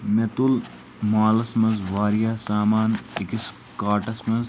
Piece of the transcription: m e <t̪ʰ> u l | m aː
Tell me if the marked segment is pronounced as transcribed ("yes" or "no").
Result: no